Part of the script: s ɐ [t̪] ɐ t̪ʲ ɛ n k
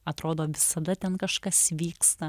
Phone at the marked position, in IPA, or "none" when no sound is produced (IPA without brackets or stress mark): d̪